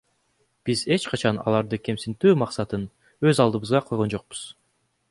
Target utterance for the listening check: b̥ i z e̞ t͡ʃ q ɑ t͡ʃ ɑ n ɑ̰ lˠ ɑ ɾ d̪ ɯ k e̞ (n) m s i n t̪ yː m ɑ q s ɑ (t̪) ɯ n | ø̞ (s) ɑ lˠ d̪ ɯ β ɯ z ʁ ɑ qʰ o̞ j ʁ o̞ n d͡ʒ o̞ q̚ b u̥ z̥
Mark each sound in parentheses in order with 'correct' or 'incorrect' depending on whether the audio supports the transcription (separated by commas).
incorrect, correct, incorrect